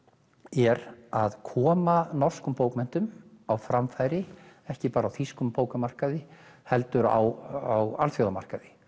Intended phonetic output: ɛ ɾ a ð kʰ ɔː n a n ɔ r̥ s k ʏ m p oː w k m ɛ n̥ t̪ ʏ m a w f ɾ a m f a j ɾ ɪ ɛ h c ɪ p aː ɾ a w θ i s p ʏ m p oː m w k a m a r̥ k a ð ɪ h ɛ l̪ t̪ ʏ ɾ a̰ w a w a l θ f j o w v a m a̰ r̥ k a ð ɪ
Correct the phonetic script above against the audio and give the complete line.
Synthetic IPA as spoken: ɛ ɾ a ð kʰ ɔː m a n ɔ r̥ s k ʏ m p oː w k m ɛ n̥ t̪ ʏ m a w f ɾ a m f a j ɾ ɪ ɛ h c ɪ p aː ɾ a w θ i s k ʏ m p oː w k a m a r̥ k a ð ɪ h ɛ l̪ t̪ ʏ ɾ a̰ w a w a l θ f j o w ð a m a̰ r̥ k a ð ɪ